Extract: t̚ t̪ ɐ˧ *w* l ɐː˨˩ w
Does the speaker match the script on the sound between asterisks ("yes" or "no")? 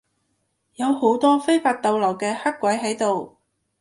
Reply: yes